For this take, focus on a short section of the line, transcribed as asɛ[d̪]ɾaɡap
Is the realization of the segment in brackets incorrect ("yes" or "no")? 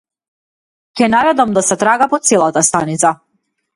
yes